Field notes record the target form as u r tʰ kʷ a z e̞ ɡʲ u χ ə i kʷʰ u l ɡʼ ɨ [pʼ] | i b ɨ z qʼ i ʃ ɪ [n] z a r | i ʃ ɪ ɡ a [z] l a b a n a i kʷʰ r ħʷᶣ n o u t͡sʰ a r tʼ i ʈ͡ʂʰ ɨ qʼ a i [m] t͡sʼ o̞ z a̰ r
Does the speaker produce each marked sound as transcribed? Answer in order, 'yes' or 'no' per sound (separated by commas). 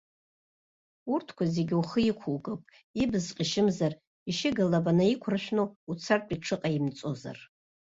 yes, no, no, yes